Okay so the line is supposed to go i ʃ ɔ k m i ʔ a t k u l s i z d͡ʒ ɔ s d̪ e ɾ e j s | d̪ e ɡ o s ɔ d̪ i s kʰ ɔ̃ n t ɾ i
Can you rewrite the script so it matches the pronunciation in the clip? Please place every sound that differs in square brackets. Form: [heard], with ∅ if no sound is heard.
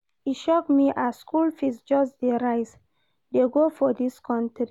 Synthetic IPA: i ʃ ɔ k m i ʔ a [s] k u l [f] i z d͡ʒ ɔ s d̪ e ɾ [a] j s | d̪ e ɡ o [f] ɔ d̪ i s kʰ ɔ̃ n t ɾ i